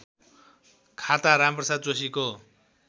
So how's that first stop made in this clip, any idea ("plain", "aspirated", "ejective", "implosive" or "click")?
aspirated